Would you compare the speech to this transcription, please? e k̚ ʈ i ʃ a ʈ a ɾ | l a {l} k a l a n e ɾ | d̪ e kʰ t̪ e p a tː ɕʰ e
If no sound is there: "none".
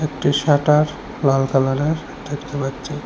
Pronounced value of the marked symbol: l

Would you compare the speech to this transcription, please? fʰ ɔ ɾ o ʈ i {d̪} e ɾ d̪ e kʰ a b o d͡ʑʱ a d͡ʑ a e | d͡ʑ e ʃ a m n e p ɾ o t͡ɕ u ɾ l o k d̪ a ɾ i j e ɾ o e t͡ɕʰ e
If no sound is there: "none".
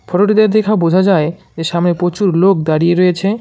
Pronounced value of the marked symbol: d̪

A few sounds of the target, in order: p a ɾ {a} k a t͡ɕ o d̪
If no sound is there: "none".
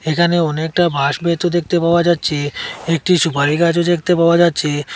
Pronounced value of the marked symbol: i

